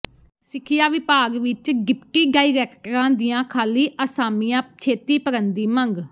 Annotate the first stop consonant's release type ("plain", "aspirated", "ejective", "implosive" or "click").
aspirated